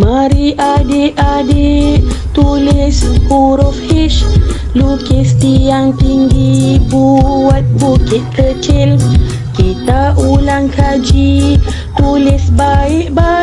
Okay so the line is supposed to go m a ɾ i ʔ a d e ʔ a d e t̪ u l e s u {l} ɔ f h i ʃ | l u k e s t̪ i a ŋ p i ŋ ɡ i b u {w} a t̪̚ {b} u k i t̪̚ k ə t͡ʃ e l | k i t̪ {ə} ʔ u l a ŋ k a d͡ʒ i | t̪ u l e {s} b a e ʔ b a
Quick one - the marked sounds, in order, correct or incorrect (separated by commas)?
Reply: incorrect, correct, correct, incorrect, correct